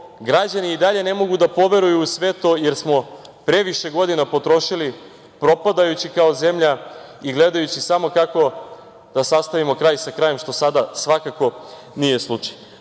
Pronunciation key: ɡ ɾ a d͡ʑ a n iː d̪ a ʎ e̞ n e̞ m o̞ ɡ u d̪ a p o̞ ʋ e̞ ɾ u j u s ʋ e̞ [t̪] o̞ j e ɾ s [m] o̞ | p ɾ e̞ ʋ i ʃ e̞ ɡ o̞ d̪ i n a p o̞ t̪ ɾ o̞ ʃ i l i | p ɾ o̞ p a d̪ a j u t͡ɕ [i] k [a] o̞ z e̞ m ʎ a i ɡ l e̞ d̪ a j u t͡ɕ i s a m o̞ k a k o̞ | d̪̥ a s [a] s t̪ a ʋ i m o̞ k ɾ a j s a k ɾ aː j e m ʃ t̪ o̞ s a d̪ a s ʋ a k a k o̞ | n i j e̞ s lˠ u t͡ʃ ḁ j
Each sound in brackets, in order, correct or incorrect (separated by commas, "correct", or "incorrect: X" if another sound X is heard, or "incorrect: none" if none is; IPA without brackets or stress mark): correct, correct, correct, correct, correct